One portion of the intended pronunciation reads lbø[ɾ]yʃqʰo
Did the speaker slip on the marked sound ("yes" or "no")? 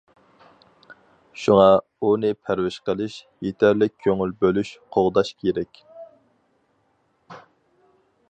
yes